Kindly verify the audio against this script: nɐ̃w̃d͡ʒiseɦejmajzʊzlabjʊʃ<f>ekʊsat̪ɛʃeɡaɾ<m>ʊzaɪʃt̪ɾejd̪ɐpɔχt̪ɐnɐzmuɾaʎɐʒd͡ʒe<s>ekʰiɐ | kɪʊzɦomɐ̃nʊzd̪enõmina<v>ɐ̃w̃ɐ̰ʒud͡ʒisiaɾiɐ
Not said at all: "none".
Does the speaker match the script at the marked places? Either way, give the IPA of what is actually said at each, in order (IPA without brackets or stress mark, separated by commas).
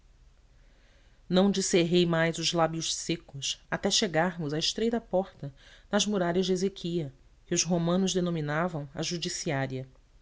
s, m, z, v